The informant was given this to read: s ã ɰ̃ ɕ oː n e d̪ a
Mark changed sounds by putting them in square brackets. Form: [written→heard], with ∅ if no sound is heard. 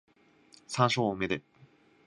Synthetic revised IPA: s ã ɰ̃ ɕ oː [n→m] e d̪ [a→e]

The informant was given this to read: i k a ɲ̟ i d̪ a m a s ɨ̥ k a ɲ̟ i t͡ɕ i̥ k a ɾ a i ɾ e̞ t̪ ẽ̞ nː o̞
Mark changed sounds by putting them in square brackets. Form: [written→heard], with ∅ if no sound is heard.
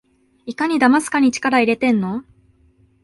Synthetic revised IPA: i k a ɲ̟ i d̪ a m a s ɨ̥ k a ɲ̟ i t͡ɕ i̥ k a ɾ a i ɾ e̞ t̪ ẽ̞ nː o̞

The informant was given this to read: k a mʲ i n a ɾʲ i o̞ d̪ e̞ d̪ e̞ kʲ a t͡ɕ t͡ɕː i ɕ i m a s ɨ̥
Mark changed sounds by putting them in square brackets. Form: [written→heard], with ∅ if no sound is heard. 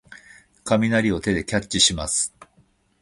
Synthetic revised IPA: k a mʲ i n a ɾʲ i o̞ [d̪→t̪] e̞ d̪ e̞ kʲ a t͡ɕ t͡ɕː i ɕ i m a s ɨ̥

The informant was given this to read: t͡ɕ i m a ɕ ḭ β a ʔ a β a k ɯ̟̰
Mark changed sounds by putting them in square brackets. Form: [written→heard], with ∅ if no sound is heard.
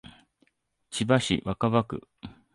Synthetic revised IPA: t͡ɕ i [m→b] a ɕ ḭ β a [ʔ→k] a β a k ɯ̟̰

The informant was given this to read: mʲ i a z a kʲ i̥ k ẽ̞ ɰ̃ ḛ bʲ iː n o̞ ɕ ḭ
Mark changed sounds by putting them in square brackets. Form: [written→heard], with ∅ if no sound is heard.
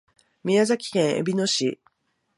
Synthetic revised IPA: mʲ i a z a kʲ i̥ k ẽ̞ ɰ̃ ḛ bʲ [iː→i] n o̞ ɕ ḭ

